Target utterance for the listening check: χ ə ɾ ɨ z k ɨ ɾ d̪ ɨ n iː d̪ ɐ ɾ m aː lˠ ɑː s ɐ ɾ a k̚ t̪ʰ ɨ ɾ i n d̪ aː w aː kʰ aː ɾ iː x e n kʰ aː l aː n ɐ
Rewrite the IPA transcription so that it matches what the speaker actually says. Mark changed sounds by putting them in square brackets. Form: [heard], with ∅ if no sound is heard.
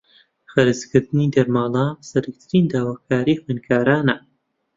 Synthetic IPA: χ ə ɾ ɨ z k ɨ ɾ d̪ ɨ n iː d̪ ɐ ɾ m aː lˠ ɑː s ɐ ɾ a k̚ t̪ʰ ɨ ɾ i n d̪ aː w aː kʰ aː ɾ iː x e n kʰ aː [ɾ] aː n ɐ